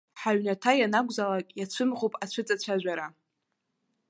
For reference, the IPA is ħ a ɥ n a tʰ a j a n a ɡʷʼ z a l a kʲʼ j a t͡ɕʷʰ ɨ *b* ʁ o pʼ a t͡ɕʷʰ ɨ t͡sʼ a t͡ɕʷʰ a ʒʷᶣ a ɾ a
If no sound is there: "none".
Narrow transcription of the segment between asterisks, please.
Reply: m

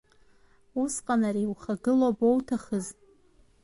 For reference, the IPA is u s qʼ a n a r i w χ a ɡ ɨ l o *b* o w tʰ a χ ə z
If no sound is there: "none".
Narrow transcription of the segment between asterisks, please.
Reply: b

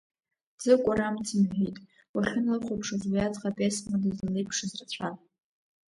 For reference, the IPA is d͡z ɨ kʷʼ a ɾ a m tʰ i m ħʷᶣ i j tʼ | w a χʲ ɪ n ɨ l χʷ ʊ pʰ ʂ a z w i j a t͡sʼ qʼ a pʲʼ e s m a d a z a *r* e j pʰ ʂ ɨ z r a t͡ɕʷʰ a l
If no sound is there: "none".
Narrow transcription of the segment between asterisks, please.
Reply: l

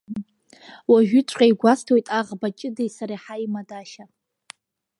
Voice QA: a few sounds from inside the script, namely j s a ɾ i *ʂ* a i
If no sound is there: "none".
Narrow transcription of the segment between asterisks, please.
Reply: ħ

